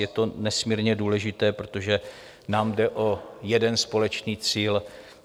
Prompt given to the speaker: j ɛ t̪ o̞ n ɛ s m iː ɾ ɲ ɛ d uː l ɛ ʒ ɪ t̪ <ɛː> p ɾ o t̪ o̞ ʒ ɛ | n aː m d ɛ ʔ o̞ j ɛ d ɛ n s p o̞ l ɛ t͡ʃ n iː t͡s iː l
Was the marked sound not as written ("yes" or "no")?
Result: no